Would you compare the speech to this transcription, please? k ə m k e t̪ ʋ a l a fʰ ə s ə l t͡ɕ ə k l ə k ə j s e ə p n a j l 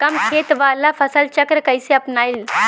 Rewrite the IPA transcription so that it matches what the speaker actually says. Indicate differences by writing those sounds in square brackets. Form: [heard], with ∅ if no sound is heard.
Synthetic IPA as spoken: k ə m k e t̪ ʋ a l a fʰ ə s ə l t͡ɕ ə k [ɾ] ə k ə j s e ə p n a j l